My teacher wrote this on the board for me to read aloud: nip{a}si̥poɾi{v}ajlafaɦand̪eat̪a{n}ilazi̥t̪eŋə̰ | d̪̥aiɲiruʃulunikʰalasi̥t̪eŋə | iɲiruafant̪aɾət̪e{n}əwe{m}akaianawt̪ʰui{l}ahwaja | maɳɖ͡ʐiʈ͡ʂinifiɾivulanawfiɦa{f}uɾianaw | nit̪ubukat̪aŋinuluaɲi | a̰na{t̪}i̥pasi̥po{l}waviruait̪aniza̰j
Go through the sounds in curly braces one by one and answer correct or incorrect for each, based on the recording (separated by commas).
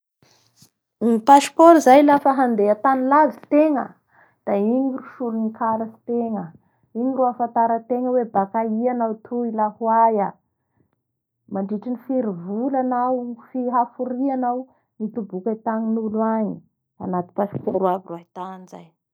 correct, incorrect, correct, incorrect, incorrect, correct, correct, correct, incorrect